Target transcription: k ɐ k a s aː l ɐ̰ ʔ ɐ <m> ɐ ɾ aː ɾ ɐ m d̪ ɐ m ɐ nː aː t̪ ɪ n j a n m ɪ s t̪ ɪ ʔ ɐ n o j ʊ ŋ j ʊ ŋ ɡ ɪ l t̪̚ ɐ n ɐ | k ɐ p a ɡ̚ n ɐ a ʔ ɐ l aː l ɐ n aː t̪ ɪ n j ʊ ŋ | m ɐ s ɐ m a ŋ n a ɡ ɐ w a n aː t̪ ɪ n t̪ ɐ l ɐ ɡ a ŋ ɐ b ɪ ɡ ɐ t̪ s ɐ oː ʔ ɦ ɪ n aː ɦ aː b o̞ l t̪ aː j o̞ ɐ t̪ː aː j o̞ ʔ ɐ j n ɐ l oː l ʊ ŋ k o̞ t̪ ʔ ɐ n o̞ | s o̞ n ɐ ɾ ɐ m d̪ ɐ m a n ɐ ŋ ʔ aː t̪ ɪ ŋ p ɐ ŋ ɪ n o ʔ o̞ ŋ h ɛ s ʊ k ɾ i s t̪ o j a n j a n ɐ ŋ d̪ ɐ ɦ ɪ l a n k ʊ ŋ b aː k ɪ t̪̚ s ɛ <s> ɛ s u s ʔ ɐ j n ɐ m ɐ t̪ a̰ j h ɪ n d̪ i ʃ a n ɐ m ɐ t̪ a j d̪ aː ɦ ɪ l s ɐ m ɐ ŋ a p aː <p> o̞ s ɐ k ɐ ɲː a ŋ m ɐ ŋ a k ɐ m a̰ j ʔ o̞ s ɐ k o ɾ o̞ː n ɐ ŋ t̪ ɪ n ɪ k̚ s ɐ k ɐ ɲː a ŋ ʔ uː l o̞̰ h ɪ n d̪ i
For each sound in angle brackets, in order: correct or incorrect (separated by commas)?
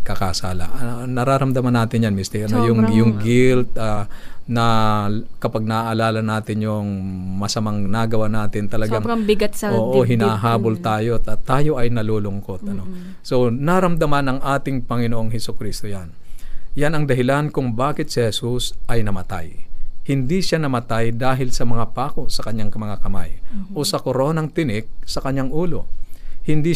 incorrect, incorrect, incorrect